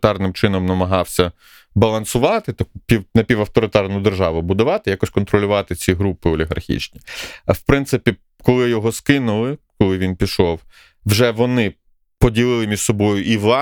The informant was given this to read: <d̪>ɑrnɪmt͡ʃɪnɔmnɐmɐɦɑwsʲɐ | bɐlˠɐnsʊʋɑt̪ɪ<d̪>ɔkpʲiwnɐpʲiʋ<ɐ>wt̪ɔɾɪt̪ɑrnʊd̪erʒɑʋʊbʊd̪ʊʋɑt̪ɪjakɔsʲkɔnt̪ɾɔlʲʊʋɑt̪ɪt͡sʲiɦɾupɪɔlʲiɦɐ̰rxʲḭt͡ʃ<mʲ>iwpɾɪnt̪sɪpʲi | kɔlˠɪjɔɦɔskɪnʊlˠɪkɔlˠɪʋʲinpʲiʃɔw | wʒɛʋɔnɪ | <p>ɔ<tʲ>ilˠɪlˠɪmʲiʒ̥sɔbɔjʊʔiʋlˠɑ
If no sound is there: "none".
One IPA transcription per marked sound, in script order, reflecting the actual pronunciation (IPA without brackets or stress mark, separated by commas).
t̪, t̪, ɐ, nʲ, p, dʲ